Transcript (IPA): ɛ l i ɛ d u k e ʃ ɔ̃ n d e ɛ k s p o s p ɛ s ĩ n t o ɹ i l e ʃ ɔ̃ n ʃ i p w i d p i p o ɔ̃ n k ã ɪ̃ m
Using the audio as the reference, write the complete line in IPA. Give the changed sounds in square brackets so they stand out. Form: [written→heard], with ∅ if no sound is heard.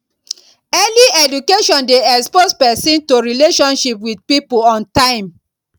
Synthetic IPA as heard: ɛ l i ɛ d u k e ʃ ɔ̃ n d e ɛ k s p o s p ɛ s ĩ n t o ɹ i l e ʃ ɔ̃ n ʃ i p w i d p i p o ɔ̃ n [k→t] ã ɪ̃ m